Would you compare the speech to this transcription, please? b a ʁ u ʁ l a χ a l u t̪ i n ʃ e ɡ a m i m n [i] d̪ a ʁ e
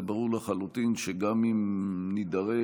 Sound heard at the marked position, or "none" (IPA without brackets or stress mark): i